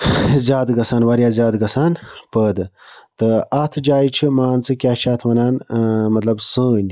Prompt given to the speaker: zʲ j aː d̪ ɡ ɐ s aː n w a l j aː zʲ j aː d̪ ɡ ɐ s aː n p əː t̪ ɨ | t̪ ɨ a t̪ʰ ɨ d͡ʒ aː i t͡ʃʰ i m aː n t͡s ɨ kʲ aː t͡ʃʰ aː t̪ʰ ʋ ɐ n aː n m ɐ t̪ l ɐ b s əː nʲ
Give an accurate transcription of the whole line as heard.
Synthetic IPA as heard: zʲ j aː d̪ ɡ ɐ s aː n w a ɾ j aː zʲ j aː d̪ ɡ ɐ s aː n p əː d̪ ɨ | t̪ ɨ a t̪ʰ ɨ d͡ʒ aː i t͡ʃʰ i m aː n t͡s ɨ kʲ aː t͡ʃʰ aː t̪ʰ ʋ ɐ n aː n m ɐ t̪ l ɐ b s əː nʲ